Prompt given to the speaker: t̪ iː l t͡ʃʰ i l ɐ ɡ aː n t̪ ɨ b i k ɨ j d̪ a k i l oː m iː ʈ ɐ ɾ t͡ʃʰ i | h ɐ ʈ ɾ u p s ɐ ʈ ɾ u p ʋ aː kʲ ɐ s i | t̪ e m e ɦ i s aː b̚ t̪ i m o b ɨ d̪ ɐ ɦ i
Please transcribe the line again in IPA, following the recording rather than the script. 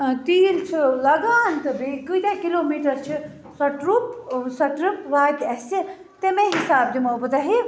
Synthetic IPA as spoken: t̪ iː l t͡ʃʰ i l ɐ ɡ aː n t̪ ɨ b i k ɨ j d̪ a k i l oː m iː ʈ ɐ ɾ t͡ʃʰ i | s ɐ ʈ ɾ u p s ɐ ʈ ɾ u p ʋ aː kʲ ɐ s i | t̪ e m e ɦ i s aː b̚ d̪ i m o b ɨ d̪ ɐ ɦ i